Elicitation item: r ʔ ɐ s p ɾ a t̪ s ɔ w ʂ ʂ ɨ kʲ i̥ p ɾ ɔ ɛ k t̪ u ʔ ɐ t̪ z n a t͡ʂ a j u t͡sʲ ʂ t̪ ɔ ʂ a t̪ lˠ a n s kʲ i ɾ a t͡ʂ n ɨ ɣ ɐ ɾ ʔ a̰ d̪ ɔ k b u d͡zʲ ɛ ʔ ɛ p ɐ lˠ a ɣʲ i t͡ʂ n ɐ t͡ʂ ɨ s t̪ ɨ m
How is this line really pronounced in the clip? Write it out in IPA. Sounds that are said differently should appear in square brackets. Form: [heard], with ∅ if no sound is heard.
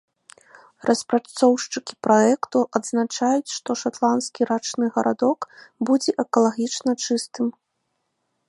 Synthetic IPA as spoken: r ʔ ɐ s p ɾ a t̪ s ɔ w ʂ [t͡ʂ] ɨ kʲ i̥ p ɾ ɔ ɛ k t̪ u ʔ ɐ [d̪] z n a t͡ʂ a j u t͡sʲ ʂ t̪ ɔ ʂ a t̪ lˠ a n s kʲ i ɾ a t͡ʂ n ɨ ɣ ɐ ɾ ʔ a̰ d̪ ɔ k b u d͡zʲ ɛ ʔ ɛ [k] ɐ lˠ a ɣʲ i t͡ʂ n ɐ t͡ʂ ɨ s t̪ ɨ m